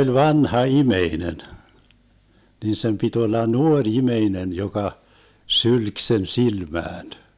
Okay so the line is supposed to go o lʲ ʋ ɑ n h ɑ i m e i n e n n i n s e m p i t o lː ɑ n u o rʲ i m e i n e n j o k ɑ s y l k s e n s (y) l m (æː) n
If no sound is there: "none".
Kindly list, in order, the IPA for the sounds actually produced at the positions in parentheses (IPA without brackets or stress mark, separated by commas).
i, æː